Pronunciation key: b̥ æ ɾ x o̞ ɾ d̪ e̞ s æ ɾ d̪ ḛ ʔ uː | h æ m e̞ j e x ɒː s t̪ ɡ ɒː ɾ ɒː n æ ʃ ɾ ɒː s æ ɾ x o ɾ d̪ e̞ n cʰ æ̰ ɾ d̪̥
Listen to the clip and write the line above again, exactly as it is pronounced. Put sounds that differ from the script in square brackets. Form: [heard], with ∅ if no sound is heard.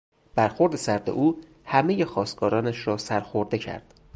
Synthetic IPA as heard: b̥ æ ɾ x o̞ ɾ d̪ e̞ s æ ɾ d̪ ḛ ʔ uː | h æ m e̞ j e x ɒː s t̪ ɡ ɒː ɾ ɒː n æ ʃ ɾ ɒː s æ ɾ x o ɾ d̪ e̞ [∅] cʰ æ̰ ɾ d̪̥